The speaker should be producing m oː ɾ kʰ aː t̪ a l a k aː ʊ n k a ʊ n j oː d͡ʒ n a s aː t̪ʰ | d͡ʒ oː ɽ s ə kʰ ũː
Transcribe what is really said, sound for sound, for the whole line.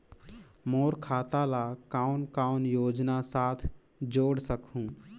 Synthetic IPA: m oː ɾ kʰ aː t̪ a l a k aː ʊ n k a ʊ n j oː d͡ʒ n a s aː t̪ʰ | d͡ʒ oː ɽ s ə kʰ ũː